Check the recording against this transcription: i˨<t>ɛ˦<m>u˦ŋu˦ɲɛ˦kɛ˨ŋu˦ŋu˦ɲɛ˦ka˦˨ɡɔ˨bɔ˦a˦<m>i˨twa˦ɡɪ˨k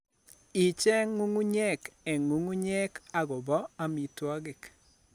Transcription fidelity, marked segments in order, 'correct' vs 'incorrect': incorrect: t͡ʃ, incorrect: ŋ, correct

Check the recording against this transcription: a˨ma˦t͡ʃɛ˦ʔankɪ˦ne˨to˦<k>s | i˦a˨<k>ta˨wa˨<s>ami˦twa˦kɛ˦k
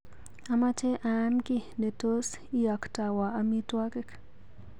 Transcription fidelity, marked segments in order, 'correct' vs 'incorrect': incorrect: none, correct, incorrect: none

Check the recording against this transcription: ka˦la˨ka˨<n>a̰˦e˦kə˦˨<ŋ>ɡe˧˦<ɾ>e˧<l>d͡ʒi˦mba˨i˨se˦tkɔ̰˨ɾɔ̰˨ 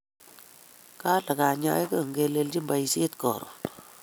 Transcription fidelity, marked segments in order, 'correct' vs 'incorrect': incorrect: ɲ, correct, incorrect: l, correct

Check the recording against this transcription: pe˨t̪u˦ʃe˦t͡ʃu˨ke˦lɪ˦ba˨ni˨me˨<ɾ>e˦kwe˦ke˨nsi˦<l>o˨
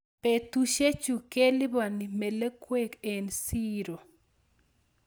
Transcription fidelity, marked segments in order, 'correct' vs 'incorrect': incorrect: l, incorrect: ɾ

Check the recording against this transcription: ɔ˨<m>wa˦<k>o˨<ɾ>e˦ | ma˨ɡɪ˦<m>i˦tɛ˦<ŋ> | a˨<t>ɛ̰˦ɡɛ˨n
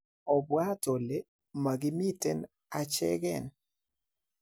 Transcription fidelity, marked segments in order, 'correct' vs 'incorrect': incorrect: b, incorrect: t, incorrect: l, correct, incorrect: n, incorrect: t͡ʃ

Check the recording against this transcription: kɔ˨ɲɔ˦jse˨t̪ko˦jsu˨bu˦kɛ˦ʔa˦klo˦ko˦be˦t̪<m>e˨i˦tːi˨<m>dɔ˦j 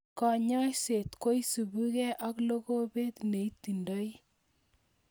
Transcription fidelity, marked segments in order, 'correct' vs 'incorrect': incorrect: n, incorrect: n

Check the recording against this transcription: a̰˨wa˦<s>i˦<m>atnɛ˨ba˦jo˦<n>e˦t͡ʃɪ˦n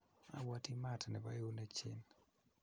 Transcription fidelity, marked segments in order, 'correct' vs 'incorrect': incorrect: t, correct, correct

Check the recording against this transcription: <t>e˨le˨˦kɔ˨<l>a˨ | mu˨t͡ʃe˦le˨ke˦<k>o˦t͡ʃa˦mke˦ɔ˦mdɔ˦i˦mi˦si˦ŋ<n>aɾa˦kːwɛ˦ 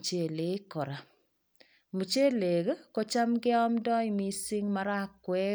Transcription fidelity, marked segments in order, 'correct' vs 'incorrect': incorrect: t͡ʃ, incorrect: ɾ, correct, incorrect: m

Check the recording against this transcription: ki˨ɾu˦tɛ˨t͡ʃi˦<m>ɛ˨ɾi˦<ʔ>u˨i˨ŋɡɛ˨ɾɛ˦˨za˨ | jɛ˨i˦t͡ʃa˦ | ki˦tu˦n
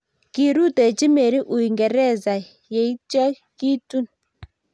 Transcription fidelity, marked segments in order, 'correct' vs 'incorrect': correct, correct

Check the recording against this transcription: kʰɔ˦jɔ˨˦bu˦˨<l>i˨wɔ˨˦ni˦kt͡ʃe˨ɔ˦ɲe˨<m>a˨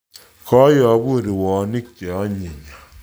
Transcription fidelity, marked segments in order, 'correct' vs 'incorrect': incorrect: ɾ, incorrect: ɲ

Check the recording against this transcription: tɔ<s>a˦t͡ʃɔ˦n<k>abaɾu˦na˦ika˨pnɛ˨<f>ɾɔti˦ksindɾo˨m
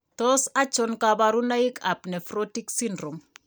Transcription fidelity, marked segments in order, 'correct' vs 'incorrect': correct, correct, correct

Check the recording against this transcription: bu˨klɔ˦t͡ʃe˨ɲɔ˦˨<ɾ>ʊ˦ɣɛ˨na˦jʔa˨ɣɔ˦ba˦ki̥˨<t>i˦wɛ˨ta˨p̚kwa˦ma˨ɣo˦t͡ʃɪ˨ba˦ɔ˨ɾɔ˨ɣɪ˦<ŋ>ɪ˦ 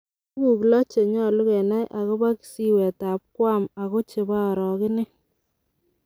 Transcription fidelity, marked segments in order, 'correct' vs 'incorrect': incorrect: l, incorrect: s, incorrect: n

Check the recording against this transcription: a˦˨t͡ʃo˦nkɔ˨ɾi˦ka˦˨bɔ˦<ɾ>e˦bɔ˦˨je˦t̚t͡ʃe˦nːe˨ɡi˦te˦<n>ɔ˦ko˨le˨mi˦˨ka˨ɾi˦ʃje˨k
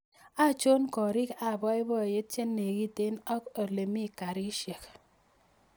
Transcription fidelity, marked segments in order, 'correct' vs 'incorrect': incorrect: none, correct

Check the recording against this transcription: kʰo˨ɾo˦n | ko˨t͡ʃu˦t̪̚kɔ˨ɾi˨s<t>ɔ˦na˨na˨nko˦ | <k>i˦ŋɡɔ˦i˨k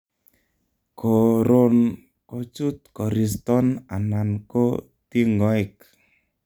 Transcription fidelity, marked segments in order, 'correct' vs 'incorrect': correct, incorrect: t

